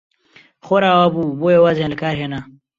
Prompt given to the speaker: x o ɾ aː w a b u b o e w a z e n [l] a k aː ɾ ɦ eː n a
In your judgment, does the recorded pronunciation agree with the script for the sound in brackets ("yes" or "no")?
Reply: yes